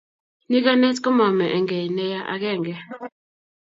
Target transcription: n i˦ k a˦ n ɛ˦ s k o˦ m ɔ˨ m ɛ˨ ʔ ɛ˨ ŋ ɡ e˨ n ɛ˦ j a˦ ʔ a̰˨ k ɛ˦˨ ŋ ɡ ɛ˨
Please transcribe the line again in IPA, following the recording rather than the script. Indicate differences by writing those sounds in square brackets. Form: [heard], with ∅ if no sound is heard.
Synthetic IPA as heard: n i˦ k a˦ n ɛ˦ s k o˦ m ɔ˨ m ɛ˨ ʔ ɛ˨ ŋ ɡ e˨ n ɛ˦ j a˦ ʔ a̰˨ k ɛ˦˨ ŋ ɡ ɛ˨